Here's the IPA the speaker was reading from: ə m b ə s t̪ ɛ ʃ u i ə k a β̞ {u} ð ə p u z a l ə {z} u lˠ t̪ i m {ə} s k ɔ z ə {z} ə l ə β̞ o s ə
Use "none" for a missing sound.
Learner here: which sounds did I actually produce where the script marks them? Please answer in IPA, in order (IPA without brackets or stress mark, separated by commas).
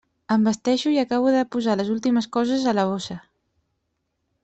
u, z, ə, z